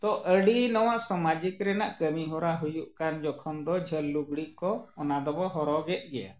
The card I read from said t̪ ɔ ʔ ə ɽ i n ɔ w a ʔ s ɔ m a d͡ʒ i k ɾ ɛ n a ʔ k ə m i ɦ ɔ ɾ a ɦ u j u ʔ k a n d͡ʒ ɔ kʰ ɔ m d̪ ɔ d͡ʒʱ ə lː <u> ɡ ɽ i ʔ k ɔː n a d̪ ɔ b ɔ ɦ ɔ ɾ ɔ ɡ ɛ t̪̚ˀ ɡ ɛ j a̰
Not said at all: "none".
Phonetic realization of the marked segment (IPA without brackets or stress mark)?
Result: u